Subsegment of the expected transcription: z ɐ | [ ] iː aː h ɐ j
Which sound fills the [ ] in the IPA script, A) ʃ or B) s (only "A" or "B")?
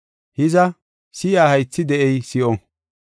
B